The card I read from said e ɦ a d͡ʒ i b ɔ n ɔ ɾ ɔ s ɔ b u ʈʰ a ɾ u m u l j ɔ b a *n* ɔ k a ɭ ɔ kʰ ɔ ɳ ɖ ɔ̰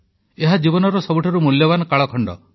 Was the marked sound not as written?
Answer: no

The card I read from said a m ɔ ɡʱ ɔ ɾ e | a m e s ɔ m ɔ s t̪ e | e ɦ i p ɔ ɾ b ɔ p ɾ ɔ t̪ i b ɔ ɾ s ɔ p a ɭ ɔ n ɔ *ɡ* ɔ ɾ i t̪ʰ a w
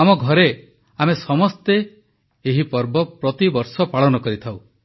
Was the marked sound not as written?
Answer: yes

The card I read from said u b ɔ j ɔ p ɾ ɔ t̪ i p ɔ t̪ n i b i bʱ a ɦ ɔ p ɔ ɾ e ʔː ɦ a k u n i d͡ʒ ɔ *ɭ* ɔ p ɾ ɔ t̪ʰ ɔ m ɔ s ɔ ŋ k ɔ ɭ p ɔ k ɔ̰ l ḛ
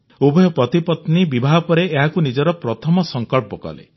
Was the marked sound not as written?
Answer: yes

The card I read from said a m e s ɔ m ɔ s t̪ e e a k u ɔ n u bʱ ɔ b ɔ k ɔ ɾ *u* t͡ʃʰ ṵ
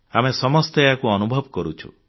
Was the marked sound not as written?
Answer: no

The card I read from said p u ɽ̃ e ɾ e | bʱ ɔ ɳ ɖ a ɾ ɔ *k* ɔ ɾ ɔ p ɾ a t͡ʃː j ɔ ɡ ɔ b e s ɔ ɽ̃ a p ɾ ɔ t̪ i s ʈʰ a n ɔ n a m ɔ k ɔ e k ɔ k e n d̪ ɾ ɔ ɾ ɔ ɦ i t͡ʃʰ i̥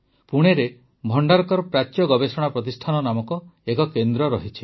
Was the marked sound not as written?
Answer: no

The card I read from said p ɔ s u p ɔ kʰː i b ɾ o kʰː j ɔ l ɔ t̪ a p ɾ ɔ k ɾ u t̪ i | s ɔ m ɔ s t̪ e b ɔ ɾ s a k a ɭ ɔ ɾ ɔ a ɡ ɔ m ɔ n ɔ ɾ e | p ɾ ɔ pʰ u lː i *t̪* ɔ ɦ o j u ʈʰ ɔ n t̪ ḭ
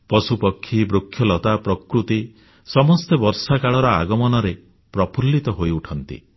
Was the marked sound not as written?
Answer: no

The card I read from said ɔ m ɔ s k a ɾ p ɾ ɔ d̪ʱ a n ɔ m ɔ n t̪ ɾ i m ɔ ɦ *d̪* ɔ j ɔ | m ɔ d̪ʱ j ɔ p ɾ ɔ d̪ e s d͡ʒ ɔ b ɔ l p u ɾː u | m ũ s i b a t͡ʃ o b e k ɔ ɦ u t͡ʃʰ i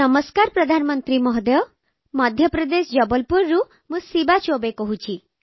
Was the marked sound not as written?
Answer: no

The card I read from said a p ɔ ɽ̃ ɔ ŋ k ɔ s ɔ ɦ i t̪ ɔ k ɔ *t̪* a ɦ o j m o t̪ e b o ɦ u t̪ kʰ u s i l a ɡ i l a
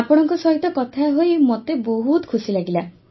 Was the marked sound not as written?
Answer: yes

